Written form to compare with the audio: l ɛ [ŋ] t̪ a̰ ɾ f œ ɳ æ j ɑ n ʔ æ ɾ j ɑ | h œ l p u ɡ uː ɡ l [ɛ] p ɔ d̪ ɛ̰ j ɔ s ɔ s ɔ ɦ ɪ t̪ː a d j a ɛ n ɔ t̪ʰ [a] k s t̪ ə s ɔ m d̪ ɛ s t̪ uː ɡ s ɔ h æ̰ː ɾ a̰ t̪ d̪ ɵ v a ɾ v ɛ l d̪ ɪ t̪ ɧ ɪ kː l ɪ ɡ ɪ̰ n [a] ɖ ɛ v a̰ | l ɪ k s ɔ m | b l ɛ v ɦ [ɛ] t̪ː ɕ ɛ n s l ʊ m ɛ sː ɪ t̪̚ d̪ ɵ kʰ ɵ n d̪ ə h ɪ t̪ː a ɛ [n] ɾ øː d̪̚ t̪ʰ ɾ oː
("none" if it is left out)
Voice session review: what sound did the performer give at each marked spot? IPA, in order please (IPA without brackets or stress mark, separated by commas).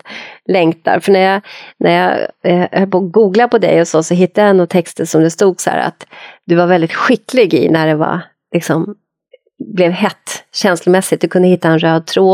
ŋ, a, ɛ, æ, ɛ, n